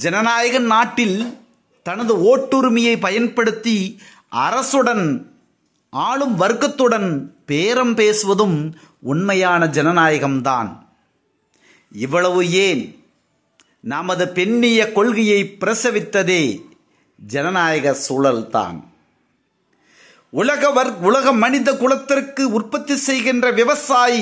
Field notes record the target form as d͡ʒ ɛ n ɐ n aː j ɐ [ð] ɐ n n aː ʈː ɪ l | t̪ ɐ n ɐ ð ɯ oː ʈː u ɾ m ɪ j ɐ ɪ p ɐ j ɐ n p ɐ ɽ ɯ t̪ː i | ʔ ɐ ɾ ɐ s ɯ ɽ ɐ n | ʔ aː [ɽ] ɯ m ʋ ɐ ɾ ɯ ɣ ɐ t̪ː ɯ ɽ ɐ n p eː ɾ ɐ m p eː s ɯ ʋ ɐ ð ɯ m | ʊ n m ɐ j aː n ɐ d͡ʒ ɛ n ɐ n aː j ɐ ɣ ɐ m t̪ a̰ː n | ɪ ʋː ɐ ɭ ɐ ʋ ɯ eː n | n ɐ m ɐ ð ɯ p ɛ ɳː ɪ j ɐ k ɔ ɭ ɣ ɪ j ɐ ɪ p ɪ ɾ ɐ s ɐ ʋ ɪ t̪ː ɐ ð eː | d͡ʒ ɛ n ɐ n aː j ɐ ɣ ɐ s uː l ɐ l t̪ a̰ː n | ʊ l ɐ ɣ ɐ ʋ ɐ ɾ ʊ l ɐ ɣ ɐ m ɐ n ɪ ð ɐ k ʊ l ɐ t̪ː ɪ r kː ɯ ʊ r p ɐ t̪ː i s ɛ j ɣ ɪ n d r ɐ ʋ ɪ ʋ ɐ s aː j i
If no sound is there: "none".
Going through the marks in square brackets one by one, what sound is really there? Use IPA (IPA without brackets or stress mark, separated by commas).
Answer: ɣ, ɭ